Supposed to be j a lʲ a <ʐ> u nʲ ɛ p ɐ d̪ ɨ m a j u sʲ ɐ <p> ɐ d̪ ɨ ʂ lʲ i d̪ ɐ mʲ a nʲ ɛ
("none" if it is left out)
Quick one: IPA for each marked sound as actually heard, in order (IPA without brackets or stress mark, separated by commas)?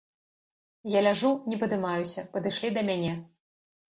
ʐ, p